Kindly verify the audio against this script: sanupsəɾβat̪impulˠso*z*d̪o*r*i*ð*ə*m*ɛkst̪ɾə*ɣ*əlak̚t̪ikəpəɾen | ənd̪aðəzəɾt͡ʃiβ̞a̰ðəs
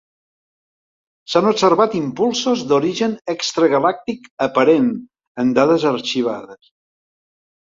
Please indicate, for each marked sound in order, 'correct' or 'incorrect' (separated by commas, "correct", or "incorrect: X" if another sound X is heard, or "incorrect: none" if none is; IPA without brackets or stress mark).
correct, incorrect: ɾ, incorrect: ʒ, incorrect: n, correct